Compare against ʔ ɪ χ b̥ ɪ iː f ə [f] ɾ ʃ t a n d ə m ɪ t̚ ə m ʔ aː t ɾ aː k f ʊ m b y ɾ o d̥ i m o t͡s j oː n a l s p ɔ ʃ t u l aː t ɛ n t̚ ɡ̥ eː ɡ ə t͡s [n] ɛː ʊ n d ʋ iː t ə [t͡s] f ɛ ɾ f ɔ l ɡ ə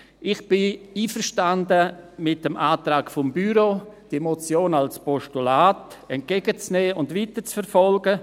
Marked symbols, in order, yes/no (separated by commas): no, yes, yes